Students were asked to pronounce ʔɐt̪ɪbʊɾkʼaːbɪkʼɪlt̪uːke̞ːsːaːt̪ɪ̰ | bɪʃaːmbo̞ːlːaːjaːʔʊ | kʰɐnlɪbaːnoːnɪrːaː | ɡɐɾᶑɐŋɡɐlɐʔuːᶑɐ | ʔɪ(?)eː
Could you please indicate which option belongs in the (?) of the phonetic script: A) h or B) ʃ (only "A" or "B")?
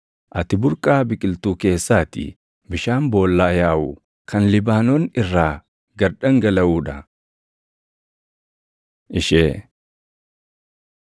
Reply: B